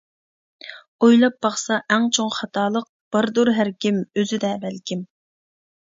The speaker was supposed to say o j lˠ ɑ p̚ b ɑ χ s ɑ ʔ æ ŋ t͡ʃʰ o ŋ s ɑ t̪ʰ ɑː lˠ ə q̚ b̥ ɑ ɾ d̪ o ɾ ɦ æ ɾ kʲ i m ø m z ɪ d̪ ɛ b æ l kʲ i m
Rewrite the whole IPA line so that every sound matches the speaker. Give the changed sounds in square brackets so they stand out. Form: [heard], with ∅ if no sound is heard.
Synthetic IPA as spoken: o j lˠ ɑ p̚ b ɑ χ s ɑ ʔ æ ŋ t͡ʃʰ o ŋ [χ] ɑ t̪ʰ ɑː lˠ ə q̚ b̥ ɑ ɾ d̪ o ɾ ɦ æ ɾ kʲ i m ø [∅] z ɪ d̪ ɛ b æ l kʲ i m

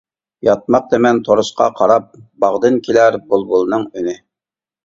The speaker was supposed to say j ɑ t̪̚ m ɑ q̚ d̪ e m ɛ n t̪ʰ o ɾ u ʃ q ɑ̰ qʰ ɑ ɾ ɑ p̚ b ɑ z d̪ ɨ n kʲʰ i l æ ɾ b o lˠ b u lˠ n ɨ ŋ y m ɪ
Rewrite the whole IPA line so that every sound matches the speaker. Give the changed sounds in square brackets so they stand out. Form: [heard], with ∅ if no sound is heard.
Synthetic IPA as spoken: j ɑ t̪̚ m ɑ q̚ d̪ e m ɛ n t̪ʰ o ɾ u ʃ q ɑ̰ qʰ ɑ ɾ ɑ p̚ b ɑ [ʁ] d̪ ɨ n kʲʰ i l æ ɾ b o lˠ b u lˠ n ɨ ŋ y [n] ɪ

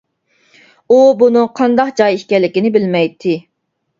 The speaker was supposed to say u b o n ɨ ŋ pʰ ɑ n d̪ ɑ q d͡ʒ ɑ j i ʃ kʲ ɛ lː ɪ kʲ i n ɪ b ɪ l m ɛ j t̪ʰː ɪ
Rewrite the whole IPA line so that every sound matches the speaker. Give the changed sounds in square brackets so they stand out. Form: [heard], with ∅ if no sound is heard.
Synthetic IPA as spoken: u b [u] n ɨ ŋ [qʰ] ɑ n d̪ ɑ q d͡ʒ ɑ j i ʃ kʲ ɛ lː ɪ kʲ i n ɪ b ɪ l m ɛ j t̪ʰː ɪ

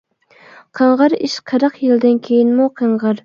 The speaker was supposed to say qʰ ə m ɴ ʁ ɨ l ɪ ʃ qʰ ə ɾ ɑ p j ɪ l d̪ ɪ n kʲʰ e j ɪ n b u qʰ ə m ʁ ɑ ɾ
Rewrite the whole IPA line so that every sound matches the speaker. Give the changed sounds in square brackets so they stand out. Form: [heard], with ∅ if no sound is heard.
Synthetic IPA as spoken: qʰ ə [∅] ɴ ʁ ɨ [ɾ] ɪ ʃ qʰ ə ɾ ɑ [q] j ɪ l d̪ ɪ n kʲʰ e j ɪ n [m] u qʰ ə [ɴ] ʁ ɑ ɾ

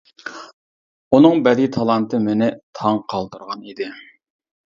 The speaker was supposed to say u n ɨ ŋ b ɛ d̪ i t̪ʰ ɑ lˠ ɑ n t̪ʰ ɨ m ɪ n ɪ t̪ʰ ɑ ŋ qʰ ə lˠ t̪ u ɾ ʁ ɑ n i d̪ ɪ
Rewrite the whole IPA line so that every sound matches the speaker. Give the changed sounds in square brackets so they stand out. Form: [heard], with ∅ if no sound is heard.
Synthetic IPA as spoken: u n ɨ ŋ b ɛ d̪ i t̪ʰ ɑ lˠ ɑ n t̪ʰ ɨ m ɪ n ɪ t̪ʰ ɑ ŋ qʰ [ɑ] lˠ t̪ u ɾ ʁ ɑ n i d̪ ɪ

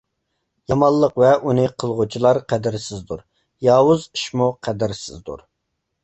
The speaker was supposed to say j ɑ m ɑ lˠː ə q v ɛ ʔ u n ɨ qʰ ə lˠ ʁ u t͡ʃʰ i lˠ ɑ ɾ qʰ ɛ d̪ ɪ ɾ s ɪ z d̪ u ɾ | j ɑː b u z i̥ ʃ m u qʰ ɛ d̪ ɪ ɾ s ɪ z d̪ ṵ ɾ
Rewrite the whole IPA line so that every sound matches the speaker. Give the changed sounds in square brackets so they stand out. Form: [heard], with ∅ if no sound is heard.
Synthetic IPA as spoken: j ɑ m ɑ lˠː ə q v ɛ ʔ u n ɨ qʰ ə lˠ ʁ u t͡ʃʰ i lˠ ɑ ɾ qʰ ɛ d̪ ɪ ɾ s ɪ z d̪ u ɾ | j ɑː [w] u z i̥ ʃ m u qʰ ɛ d̪ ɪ ɾ s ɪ z d̪ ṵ ɾ

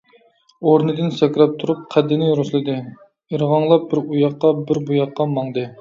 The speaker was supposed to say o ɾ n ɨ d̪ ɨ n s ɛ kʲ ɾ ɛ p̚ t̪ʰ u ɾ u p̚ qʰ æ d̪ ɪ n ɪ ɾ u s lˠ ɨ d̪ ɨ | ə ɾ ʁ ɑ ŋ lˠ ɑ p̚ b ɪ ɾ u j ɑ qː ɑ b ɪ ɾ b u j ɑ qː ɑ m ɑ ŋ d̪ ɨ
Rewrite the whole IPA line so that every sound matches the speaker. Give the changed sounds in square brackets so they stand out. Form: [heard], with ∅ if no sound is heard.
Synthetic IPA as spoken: o ɾ n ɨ d̪ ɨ n s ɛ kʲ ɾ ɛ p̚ t̪ʰ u ɾ u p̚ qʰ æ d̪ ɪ n ɪ ɾ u s lˠ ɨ d̪ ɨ | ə ɾ ʁ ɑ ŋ lˠ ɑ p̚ b ɪ ɾ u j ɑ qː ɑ b ɪ ɾ b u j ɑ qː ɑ m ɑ ŋ d̪ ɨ

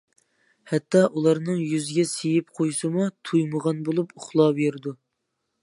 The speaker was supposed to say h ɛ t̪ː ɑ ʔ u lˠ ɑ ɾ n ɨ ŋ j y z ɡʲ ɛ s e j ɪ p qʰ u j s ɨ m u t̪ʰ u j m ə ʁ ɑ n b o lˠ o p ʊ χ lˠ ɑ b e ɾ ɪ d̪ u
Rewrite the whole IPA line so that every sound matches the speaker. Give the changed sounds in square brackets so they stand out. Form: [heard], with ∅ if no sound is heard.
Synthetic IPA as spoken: h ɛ t̪ː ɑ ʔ u lˠ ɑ ɾ n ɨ ŋ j y z ɡʲ ɛ s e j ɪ p qʰ [o] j s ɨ m u t̪ʰ u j m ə ʁ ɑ n b o lˠ [u] p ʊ χ lˠ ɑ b e ɾ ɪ d̪ u

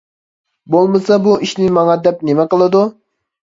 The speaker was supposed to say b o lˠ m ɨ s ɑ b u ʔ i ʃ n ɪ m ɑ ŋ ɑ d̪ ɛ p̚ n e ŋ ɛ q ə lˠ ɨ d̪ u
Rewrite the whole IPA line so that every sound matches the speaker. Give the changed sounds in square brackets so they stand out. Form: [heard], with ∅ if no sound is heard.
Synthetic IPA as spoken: b o lˠ m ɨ s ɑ b u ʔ i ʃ n ɪ m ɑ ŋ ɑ d̪ ɛ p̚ n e [m] ɛ q ə lˠ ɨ d̪ u

